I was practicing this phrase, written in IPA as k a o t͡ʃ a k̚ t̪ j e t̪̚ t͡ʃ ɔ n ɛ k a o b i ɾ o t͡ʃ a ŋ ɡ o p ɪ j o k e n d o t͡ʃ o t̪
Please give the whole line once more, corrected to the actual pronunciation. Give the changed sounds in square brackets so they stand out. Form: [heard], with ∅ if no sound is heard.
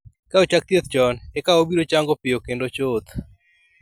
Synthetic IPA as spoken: k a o t͡ʃ a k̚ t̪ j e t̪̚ t͡ʃ ɔ n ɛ k a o b i ɾ o t͡ʃ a ŋ ɡ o p ɪ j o k e n d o t͡ʃ o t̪